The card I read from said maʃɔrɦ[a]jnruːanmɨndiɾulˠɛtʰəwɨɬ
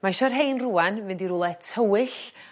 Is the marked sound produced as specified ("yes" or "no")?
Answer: no